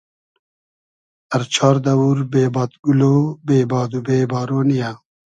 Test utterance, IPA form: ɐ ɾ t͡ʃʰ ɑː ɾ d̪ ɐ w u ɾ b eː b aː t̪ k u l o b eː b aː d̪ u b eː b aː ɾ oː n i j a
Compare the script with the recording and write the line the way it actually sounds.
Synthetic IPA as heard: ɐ ɾ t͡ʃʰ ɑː ɾ d̪ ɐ w u ɾ b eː b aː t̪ ɡ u l o b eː b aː d̪ u b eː b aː ɾ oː n i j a